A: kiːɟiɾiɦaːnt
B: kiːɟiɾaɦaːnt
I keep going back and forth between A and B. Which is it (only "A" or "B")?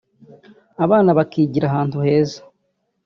B